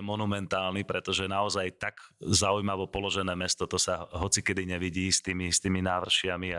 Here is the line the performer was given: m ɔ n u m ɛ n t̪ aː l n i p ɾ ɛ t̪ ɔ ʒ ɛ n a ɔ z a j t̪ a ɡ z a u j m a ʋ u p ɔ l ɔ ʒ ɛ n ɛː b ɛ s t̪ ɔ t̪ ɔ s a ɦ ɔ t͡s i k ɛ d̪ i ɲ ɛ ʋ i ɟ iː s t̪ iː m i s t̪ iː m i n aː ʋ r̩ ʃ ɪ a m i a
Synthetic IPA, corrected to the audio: m ɔ n u m ɛ n t̪ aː l n i p ɾ ɛ t̪ ɔ ʒ ɛ n a ɔ z a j t̪ a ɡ z a u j m a ʋ ɔ p ɔ l ɔ ʒ ɛ n ɛː m ɛ s t̪ ɔ t̪ ɔ s a ɦ ɔ t͡s i k ɛ d̪ i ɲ ɛ ʋ i ɟ iː s t̪ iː m i s t̪ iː m i n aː ʋ r̩ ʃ ɪ a m i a